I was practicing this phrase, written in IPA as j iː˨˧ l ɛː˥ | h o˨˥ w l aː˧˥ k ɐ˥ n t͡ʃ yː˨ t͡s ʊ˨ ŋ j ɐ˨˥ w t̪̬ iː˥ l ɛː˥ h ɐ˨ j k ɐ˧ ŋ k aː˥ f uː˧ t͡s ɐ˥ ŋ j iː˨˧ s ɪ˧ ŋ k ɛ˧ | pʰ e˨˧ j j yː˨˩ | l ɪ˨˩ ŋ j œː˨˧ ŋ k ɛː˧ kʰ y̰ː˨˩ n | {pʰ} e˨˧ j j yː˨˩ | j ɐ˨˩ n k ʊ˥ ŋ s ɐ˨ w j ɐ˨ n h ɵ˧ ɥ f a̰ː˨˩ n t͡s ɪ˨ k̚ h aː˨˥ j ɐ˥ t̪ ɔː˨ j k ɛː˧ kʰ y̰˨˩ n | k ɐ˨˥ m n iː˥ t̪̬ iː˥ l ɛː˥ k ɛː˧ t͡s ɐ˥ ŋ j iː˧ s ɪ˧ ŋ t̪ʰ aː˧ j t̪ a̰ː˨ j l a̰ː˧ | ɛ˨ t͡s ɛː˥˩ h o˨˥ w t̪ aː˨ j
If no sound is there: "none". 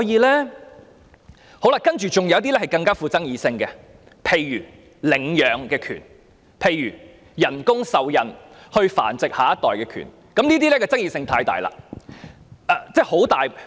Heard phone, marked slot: pʰ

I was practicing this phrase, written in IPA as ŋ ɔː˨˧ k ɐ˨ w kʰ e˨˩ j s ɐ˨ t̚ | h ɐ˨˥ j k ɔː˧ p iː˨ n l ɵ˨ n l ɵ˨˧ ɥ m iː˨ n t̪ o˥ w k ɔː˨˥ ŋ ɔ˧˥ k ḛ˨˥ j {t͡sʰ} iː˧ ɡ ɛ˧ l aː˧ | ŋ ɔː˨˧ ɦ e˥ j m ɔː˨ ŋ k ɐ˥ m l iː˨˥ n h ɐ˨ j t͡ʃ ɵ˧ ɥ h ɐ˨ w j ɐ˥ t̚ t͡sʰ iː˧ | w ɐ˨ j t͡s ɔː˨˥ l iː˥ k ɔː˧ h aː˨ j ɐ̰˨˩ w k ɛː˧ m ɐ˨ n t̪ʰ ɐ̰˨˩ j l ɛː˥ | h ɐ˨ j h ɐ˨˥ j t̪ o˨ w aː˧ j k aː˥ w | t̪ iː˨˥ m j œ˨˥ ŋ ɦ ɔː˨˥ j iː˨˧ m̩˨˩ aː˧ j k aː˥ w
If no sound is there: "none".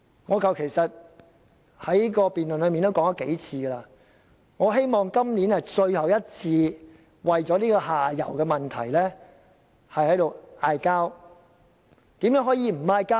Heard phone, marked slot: t͡sʰ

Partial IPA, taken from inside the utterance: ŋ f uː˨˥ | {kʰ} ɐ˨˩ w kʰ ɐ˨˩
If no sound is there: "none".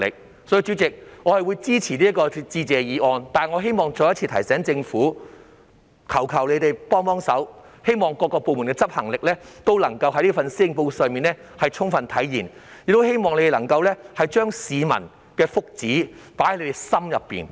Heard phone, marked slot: kʰ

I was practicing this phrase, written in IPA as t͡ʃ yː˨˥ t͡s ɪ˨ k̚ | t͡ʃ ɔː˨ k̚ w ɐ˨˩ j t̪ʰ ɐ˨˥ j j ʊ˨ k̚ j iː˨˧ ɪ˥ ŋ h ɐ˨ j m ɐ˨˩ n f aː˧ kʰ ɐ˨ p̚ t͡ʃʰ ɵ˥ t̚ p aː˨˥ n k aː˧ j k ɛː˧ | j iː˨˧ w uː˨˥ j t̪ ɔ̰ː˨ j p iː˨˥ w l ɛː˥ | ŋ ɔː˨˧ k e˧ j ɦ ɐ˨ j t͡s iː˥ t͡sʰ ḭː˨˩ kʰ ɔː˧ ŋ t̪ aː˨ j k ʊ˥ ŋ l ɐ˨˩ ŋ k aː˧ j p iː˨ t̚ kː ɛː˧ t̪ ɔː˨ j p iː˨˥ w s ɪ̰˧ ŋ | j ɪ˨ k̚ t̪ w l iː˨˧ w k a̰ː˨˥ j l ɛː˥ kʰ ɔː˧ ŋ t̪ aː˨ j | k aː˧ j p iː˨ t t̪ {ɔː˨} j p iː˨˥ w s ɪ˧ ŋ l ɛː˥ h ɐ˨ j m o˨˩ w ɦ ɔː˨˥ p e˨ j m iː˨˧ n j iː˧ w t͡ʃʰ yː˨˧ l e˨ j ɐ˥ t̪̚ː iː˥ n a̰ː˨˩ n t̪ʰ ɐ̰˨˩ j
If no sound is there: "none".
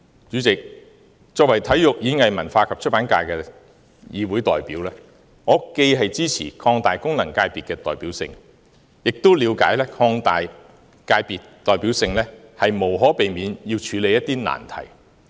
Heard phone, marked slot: ɔː˨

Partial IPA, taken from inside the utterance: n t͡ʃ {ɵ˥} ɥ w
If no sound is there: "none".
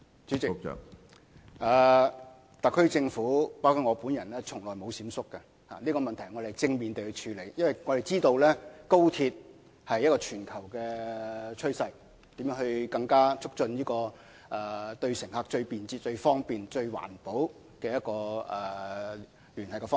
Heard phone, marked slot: ɵ˧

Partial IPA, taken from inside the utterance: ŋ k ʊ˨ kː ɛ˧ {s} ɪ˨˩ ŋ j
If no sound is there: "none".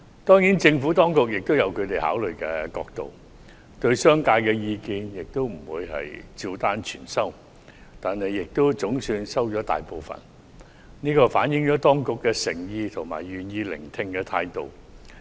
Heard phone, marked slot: s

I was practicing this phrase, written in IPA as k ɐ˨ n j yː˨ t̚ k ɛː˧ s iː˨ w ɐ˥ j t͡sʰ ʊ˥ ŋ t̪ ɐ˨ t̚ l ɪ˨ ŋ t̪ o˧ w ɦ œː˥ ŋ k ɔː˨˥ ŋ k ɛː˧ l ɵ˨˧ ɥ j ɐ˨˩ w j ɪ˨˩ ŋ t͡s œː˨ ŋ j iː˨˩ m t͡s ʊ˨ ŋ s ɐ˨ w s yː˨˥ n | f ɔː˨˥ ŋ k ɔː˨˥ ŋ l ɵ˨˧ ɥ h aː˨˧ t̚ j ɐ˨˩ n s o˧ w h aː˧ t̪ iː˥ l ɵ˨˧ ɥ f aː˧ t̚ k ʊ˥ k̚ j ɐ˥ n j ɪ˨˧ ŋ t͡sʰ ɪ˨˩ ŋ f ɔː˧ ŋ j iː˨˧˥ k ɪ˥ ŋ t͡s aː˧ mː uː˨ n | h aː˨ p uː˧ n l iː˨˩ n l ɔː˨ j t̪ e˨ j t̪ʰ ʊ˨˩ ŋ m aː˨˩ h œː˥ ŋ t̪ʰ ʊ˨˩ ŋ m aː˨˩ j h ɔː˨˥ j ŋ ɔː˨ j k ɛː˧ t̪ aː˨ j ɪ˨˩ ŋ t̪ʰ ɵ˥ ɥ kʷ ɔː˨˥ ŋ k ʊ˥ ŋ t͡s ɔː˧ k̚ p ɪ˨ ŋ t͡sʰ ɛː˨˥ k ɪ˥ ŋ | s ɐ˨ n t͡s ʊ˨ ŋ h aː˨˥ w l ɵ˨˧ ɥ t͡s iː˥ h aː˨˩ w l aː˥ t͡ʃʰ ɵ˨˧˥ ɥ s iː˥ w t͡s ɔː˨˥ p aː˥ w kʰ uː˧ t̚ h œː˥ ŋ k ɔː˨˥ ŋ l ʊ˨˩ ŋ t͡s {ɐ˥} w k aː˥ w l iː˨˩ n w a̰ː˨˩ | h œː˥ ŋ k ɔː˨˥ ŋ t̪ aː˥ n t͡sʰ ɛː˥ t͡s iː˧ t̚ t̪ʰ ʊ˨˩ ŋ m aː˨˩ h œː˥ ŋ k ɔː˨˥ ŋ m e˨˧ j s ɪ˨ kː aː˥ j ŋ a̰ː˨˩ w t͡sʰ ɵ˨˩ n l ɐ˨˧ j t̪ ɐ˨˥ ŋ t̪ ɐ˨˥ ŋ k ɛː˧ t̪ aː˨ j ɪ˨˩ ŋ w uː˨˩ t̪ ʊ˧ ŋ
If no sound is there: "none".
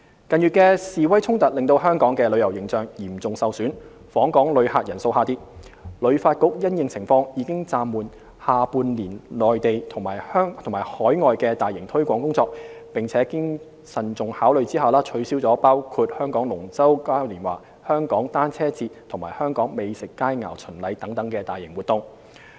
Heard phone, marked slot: ɐ˥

